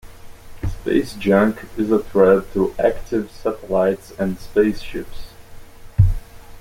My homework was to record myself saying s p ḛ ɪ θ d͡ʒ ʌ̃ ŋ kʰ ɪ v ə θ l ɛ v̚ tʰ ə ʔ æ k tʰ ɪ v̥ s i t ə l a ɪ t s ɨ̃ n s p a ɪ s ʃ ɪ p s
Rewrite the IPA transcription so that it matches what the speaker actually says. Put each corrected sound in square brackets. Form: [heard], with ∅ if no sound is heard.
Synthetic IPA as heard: s p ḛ ɪ [s] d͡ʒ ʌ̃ ŋ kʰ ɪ [z] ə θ [ɹ] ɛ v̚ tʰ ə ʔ æ k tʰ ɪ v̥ s [æ] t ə l a ɪ t s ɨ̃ n s p [e] ɪ s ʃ ɪ p s